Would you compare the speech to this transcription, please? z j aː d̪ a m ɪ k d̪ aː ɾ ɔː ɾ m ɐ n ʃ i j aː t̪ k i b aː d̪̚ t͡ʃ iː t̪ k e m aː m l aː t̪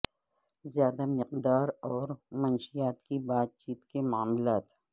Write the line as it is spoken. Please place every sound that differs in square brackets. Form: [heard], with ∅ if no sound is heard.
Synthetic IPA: z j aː d̪ a m ɪ [q] d̪ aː ɾ ɔː ɾ m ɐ n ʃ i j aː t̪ k i b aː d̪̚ t͡ʃ iː t̪ k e m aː m l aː t̪